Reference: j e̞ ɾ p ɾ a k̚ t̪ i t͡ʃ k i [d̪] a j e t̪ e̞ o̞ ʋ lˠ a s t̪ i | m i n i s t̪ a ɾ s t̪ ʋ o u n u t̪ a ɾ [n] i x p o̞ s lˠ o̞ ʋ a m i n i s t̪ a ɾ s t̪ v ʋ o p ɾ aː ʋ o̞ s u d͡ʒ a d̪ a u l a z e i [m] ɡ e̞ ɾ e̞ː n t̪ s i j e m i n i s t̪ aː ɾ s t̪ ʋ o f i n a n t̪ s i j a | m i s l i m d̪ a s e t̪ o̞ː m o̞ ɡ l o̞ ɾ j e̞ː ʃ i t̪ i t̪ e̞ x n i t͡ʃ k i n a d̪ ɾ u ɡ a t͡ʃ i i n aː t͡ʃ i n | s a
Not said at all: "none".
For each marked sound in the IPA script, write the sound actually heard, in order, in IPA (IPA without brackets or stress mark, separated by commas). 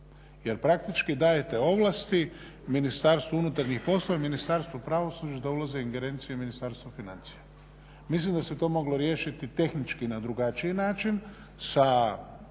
d̪, ɲ, ŋ